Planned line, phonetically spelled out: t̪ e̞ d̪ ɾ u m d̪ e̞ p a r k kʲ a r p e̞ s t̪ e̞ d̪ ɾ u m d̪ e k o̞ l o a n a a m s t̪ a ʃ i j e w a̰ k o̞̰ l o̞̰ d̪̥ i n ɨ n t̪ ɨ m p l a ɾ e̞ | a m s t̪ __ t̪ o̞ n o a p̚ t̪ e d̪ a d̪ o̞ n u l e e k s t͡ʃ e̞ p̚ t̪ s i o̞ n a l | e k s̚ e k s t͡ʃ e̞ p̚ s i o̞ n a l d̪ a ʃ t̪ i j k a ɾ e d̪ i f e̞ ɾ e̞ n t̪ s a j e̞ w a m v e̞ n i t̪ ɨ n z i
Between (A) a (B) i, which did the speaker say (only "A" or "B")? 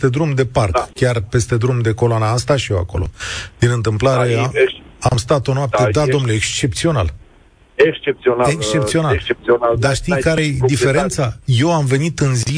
A